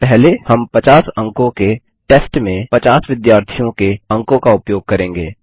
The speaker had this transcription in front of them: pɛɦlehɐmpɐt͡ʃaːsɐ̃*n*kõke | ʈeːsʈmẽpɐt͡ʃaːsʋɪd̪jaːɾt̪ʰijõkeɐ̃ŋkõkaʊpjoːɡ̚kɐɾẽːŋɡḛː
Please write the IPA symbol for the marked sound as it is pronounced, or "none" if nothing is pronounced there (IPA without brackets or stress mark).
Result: ŋ